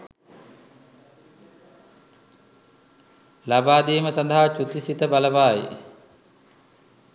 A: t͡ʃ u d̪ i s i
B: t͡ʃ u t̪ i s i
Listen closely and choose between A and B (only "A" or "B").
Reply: B